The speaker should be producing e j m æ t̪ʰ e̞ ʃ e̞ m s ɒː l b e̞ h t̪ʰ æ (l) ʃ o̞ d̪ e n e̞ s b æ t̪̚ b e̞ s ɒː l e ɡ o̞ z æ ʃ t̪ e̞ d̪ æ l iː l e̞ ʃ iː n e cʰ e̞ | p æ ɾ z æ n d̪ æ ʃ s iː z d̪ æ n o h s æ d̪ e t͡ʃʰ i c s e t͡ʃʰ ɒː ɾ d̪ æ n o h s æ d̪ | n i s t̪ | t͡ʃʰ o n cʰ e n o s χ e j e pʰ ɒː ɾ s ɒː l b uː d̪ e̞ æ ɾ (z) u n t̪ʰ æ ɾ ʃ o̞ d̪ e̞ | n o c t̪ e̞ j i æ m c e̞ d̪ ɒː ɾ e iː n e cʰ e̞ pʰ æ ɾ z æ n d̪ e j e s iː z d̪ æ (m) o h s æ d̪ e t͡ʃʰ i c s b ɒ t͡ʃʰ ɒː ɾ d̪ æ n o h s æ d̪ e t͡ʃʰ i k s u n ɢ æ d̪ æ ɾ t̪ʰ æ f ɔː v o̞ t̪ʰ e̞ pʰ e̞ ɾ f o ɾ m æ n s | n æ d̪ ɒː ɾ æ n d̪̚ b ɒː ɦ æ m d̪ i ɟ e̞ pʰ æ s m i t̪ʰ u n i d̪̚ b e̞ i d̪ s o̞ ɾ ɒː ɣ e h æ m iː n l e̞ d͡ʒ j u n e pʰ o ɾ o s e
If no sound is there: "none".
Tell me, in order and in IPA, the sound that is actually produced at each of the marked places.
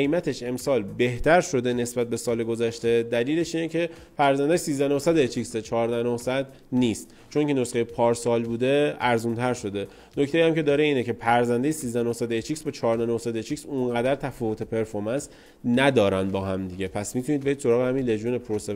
ɾ, z, n

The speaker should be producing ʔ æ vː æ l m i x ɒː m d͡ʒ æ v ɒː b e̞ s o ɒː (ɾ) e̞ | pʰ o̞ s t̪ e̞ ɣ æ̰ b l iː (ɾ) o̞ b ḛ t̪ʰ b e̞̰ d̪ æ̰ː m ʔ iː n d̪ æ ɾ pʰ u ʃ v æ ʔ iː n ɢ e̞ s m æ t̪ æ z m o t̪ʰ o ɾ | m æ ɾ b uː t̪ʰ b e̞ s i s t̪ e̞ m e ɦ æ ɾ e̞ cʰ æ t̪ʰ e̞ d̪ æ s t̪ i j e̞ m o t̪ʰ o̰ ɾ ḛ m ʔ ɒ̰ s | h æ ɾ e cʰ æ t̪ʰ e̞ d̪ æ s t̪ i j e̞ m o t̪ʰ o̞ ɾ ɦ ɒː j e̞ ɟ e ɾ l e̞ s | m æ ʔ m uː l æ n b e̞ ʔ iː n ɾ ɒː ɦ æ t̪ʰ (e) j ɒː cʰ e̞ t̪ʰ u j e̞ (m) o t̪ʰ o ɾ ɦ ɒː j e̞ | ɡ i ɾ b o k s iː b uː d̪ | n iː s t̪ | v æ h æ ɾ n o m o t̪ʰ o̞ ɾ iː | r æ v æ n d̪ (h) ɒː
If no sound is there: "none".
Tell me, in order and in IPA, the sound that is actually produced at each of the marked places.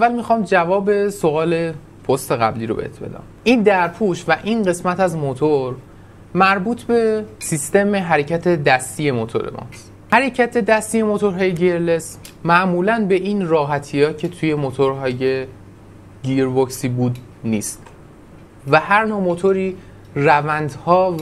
l, ɾ, i, m, h

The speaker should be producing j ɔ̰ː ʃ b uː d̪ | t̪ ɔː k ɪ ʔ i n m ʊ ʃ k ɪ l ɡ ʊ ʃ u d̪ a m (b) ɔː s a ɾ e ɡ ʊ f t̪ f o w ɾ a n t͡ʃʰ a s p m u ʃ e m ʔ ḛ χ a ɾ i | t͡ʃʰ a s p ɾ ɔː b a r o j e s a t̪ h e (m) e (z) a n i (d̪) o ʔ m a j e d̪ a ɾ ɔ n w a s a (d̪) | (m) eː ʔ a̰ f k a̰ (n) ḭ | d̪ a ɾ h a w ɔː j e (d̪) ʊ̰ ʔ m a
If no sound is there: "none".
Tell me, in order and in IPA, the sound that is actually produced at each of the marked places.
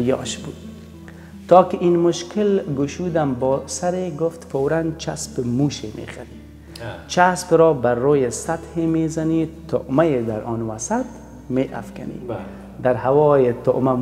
b, m, z, t̪, t̪, m, n, t̪

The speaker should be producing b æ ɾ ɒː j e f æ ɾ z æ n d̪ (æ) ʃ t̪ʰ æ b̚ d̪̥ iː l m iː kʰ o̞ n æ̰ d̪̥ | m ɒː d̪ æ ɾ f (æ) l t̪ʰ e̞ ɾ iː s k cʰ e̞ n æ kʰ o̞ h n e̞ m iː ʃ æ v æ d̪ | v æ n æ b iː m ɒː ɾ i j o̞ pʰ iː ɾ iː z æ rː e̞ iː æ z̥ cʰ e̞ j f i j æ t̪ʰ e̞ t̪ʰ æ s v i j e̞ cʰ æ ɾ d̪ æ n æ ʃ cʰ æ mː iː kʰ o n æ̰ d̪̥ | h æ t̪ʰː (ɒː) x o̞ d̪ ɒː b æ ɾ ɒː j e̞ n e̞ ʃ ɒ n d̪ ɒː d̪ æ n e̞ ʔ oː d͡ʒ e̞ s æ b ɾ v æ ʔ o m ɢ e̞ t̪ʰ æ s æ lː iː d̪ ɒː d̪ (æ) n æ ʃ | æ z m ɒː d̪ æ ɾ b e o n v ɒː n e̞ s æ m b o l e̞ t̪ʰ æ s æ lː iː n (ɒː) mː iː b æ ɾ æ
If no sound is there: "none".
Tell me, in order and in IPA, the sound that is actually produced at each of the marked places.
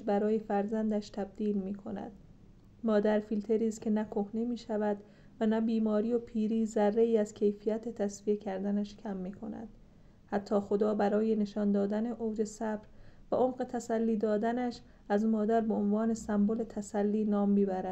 æ, i, ɒː, æ, ɒː

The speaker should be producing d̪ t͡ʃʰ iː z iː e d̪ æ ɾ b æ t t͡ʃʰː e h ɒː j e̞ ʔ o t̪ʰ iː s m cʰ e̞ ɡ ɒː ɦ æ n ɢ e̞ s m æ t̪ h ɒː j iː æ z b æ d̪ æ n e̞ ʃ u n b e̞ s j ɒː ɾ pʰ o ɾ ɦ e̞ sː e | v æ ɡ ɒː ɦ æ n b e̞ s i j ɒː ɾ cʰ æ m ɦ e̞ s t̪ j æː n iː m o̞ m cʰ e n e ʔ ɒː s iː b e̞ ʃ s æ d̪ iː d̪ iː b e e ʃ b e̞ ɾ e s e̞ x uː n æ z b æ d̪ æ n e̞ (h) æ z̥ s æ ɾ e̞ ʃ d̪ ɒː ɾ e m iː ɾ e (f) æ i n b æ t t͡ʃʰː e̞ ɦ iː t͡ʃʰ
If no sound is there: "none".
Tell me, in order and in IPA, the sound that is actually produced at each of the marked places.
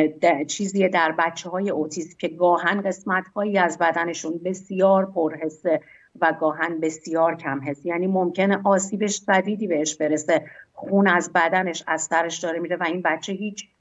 ʃ, v

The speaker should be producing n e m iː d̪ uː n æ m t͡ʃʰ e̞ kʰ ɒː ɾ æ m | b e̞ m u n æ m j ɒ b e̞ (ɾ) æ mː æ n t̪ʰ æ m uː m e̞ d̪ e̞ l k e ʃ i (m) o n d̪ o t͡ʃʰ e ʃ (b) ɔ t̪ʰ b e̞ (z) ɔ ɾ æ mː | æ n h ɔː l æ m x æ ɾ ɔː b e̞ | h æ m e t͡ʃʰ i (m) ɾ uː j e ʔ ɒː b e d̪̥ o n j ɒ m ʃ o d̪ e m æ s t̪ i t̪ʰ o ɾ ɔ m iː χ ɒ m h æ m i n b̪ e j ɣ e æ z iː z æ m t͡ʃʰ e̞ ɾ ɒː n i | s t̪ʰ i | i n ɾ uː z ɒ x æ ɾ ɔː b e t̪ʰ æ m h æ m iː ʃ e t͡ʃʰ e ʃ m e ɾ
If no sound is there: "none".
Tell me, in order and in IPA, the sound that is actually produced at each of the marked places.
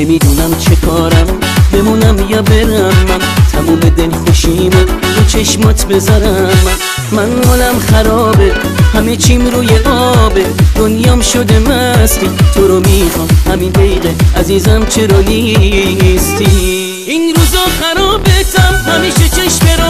ɾ, m, m, z, m

